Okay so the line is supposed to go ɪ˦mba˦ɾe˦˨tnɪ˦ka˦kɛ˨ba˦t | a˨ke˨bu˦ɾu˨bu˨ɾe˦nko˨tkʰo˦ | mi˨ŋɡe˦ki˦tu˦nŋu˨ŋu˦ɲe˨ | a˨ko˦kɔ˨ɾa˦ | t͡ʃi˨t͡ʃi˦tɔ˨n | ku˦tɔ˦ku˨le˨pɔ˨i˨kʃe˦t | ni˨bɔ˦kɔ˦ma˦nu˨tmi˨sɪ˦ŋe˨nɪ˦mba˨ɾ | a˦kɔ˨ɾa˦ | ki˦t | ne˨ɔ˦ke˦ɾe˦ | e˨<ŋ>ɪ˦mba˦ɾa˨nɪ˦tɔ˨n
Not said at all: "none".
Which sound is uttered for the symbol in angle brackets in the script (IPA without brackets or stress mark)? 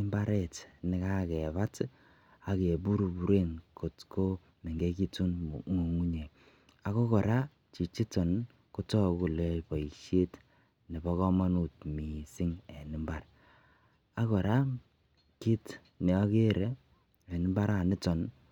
n